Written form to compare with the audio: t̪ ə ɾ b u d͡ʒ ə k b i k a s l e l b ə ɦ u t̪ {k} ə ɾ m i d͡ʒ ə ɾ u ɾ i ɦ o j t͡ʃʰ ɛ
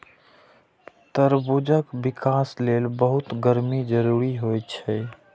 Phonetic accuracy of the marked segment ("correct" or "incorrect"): incorrect